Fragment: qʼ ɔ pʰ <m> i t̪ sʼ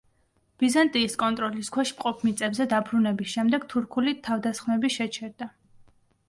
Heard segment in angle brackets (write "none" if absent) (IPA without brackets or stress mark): m